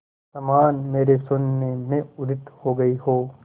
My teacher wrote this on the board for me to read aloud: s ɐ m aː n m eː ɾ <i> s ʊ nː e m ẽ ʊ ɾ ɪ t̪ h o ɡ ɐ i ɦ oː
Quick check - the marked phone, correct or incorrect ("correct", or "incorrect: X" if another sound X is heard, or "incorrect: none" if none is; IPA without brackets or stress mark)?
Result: incorrect: e